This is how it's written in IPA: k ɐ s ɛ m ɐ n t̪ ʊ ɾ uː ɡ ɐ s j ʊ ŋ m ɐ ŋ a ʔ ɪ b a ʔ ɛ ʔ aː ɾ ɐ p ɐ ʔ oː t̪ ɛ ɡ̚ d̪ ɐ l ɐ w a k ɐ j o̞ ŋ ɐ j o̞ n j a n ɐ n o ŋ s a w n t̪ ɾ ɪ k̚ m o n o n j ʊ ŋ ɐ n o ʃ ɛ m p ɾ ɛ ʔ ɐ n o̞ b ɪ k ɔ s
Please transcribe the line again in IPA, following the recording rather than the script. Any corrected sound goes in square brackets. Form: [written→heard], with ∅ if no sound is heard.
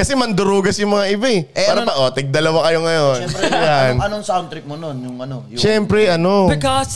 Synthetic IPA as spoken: k ɐ s ɛ m ɐ n [t̪→d̪] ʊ ɾ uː ɡ ɐ s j ʊ ŋ m ɐ ŋ a ʔ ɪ b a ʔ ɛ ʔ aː ɾ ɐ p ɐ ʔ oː t̪ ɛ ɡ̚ d̪ ɐ l ɐ w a k ɐ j o̞ ŋ ɐ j o̞ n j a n ɐ n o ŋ s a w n t̪ ɾ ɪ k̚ m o n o n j ʊ ŋ ɐ n o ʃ ɛ m p ɾ ɛ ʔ ɐ n o̞ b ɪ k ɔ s